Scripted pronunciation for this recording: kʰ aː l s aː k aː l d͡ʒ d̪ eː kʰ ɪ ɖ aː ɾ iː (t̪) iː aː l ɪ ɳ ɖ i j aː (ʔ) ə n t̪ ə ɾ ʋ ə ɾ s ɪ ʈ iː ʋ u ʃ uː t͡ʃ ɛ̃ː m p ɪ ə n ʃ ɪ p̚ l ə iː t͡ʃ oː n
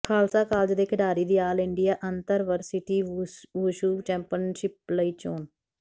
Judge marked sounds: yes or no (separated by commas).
no, yes